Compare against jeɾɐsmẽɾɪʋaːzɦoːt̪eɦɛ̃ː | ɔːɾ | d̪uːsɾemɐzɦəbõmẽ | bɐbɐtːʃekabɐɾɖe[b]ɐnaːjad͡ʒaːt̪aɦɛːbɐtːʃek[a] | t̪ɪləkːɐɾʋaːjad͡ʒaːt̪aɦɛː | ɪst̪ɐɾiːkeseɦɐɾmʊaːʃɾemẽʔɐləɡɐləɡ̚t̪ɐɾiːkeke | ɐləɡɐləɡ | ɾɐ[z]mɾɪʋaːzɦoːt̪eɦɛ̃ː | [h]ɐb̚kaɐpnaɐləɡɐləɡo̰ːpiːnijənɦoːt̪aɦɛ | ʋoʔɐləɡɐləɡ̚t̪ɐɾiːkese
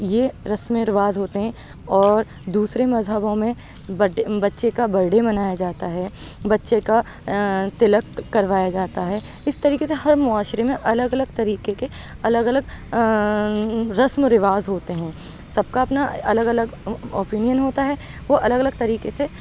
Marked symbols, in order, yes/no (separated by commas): no, yes, no, no